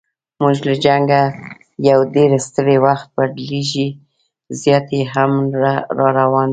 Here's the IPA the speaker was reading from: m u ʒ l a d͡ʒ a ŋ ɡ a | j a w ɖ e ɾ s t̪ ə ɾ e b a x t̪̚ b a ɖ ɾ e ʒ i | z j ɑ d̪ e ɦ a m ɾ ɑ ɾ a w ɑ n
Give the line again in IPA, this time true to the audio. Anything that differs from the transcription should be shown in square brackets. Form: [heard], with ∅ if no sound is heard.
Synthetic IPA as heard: m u ʒ l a d͡ʒ a ŋ ɡ a | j a w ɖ e ɾ s t̪ ə ɾ e [w] a x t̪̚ b a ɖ [l] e ʒ i | z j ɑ [t̪] e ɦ a m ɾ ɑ ɾ a w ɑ n

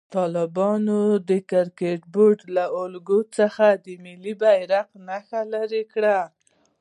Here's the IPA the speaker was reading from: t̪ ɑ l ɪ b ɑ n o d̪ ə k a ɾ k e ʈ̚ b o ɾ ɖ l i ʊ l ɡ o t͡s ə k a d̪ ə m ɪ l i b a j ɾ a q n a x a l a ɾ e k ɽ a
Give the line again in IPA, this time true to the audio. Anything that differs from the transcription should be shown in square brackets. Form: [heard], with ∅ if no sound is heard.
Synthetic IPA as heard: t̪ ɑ l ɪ b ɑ n o d̪ ə k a ɾ k e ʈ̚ b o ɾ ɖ l [a] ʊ l ɡ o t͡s ə [x] a d̪ ə m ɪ l i b a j ɾ a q n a x a l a ɾ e k ɽ a

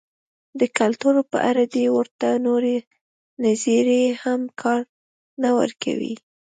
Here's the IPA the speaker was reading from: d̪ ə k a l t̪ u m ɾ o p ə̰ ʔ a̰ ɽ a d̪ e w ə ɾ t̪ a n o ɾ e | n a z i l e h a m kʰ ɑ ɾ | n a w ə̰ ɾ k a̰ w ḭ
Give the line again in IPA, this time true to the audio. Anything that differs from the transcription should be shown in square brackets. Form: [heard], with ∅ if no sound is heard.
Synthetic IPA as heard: d̪ ə k a l t̪ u [∅] ɾ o p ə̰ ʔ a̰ [ɾ] a d̪ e w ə ɾ t̪ a n o ɾ e | n a z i [ɾ] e h a m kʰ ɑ ɾ | n a w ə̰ ɾ k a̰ w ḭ

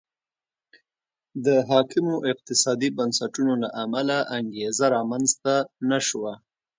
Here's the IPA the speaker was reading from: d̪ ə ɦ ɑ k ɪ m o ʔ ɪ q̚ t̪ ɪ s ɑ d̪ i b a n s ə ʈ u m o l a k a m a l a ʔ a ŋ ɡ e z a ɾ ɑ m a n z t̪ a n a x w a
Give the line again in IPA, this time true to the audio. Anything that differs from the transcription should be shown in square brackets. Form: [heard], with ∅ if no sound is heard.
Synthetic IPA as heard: d̪ ə ɦ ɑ k ɪ m o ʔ ɪ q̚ t̪ ɪ s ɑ d̪ i b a n s [a] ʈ u [n] o l a [ʔ] a m a l a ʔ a ŋ ɡ e z a ɾ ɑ m a n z t̪ a n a [ʃ] w a

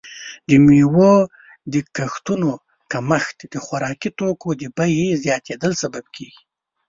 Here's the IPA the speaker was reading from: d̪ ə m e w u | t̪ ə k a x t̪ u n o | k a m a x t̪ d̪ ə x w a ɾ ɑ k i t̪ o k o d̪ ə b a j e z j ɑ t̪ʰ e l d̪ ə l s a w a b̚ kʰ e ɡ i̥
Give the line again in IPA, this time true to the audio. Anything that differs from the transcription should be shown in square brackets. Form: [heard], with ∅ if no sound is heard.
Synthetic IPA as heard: d̪ ə m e w [o] | [d̪] ə k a x t̪ u n o | k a m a x t̪ d̪ ə x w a ɾ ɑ k i t̪ o k o d̪ ə b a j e z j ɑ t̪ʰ e [∅] d̪ ə l s a [b] a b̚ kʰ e ɡ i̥

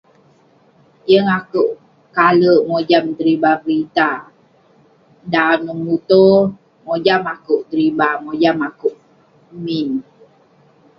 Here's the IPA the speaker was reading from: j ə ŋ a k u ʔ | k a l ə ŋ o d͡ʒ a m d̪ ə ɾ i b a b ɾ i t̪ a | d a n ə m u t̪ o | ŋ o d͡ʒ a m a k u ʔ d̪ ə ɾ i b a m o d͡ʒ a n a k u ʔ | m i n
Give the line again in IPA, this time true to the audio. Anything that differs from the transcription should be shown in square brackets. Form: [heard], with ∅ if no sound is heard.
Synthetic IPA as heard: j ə ŋ a k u ʔ | k a l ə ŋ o d͡ʒ a m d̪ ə ɾ i b a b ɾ i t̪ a | d a n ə m u t̪ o | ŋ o d͡ʒ a m a k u ʔ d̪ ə ɾ i b a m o d͡ʒ a [m] a k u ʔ | m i n

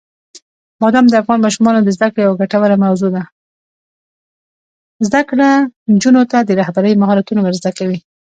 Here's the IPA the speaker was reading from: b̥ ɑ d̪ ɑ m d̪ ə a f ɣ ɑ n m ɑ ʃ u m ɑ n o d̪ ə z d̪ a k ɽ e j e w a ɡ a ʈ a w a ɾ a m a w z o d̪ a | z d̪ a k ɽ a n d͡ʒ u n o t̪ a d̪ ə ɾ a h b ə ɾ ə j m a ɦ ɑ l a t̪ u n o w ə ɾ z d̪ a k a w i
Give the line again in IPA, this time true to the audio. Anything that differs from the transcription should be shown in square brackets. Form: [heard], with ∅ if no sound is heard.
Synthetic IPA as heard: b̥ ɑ d̪ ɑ m d̪ ə a f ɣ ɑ n m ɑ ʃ u m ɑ n o d̪ ə z d̪ a k ɽ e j [a] w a ɡ a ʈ a w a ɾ a m a w z o d̪ a | z d̪ a k ɽ a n d͡ʒ u n o t̪ a d̪ ə ɾ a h b [a] ɾ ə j m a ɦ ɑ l a t̪ u n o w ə ɾ z d̪ a k a w i

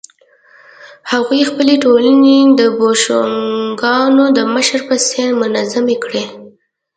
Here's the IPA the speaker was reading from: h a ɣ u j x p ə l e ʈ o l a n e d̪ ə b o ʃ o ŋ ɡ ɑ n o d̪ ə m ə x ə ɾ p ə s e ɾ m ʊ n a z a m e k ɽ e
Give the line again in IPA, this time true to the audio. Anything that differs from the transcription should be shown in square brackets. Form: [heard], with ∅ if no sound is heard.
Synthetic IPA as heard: h a ɣ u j x p ə l e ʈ o l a n e d̪ ə b o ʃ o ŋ ɡ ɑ n o d̪ ə m ə [ʃ] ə ɾ p ə s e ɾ m ʊ n a z a m e k ɽ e

